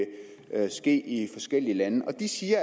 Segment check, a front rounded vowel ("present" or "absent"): absent